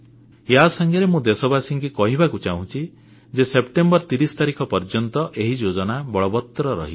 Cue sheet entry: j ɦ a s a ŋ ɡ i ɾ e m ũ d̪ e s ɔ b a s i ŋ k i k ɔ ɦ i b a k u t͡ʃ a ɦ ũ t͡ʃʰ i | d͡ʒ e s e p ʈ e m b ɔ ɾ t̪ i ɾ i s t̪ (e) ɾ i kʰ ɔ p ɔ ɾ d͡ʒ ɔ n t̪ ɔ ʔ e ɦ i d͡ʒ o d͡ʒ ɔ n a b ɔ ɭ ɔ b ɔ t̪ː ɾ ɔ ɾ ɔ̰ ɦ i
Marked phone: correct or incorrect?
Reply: incorrect